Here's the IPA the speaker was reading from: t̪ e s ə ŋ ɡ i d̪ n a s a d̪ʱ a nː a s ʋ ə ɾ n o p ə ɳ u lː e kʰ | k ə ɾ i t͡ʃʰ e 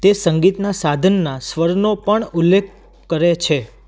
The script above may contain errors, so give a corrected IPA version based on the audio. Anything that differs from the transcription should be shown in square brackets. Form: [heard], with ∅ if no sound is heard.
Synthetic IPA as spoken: t̪ e s ə ŋ ɡ i [t̪] n a s a d̪ʱ [ə] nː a s ʋ ə ɾ n o p ə ɳ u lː e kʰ | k ə ɾ [e] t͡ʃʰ e